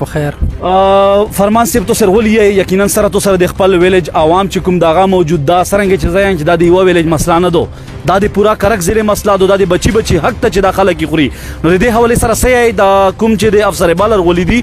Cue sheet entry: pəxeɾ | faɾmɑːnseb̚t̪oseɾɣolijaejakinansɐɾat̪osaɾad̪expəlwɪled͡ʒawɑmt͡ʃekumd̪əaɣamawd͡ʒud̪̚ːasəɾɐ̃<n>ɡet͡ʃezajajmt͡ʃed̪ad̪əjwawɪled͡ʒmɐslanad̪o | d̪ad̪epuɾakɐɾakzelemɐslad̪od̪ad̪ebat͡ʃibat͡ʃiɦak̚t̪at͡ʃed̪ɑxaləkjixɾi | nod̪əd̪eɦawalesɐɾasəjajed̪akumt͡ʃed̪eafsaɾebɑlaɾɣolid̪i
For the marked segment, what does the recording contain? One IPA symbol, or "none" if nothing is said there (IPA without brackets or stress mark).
ŋ